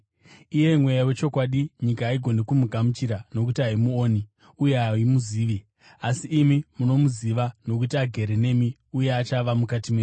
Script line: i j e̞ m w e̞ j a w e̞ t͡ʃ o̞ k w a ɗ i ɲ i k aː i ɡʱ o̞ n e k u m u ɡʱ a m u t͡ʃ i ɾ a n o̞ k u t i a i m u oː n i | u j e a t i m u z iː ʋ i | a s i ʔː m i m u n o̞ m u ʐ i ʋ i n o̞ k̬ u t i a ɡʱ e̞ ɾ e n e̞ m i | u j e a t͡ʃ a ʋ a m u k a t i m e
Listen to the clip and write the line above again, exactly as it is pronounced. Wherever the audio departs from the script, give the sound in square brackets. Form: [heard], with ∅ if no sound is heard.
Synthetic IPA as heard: i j e̞ m w e̞ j a w e̞ t͡ʃ o̞ k w a ɗ i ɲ i k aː i ɡʱ o̞ n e k u m u ɡʱ a m u t͡ʃ i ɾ a n o̞ k u t i a i m u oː n i | u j e a [∅] i m u z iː ʋ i | a s i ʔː m i m u n o̞ m u [z] i ʋ [a] n o̞ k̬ u t i a ɡʱ e̞ ɾ e n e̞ m i | u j e a t͡ʃ a ʋ a m u k a t i m e